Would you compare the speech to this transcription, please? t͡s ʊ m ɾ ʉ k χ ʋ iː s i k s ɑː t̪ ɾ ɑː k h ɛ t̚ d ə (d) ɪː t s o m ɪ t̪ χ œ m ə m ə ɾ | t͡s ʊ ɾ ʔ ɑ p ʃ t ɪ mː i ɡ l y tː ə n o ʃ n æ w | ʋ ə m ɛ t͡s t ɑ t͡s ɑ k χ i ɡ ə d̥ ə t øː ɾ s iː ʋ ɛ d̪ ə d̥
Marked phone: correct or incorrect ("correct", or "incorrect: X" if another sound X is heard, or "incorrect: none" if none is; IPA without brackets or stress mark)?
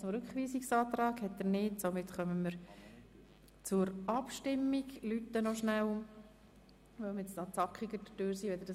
incorrect: n